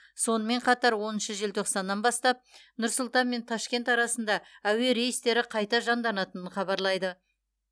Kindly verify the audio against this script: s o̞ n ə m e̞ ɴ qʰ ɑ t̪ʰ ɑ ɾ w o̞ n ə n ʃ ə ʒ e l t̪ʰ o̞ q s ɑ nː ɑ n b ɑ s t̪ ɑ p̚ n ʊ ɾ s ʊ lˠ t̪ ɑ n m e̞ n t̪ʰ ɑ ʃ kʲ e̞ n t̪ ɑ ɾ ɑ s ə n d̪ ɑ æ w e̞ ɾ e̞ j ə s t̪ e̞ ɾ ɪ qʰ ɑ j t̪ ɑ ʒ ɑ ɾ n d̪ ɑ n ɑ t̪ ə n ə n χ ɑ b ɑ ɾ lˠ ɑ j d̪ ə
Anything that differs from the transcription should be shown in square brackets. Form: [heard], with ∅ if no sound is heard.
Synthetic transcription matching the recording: s o̞ n ə m e̞ ɴ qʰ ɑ [t̪] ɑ ɾ w o̞ n ə n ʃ ə ʒ e l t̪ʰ o̞ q s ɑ nː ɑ n b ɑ s t̪ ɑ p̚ n ʊ ɾ s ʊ lˠ t̪ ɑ n m e̞ n t̪ʰ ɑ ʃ kʲ e̞ n t̪ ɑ ɾ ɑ s ə n d̪ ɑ æ w e̞ ɾ e̞ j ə s t̪ e̞ ɾ ɪ qʰ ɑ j t̪ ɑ ʒ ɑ [∅] n d̪ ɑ n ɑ t̪ ə n ə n χ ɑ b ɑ ɾ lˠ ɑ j d̪ ə